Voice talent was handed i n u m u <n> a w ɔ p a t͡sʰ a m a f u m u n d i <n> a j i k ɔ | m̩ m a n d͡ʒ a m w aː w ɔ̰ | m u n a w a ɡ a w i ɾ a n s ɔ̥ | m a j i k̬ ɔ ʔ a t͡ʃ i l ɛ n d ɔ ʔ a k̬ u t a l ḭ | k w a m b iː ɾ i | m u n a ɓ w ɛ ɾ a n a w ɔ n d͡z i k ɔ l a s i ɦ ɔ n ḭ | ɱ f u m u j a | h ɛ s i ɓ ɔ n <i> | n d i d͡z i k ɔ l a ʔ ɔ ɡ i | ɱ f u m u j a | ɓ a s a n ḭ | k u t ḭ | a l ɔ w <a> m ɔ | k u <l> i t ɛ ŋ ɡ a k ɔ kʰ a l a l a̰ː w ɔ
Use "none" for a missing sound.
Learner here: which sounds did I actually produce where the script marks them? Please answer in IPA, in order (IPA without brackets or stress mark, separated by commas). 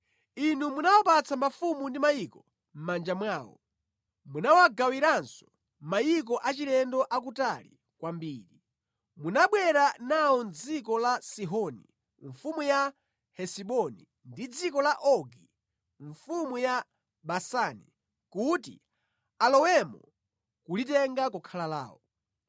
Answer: n, m, i, ɛ, l